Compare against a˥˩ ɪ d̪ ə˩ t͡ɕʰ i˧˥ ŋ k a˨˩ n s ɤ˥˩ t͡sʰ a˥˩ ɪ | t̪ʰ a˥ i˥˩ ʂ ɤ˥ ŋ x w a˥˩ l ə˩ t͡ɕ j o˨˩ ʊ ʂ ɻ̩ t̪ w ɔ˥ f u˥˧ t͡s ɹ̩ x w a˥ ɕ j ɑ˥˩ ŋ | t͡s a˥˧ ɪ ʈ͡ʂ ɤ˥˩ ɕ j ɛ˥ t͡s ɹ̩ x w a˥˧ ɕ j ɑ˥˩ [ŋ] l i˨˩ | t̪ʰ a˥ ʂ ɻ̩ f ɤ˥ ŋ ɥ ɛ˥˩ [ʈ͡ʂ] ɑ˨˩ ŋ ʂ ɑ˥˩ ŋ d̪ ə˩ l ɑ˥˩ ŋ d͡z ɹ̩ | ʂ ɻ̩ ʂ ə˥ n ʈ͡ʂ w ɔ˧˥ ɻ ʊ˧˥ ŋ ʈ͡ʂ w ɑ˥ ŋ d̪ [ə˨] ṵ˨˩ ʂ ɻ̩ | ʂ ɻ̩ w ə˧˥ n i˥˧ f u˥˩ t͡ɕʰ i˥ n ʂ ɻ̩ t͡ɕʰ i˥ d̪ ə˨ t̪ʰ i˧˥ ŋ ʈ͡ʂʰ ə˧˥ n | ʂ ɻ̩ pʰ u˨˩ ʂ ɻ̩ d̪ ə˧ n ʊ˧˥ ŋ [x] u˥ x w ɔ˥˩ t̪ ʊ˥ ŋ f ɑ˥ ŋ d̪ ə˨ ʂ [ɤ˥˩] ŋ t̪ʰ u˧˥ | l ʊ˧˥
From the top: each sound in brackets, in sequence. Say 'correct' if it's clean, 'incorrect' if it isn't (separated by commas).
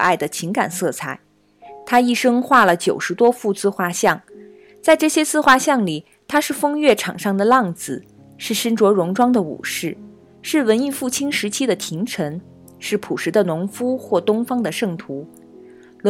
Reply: correct, incorrect, correct, incorrect, correct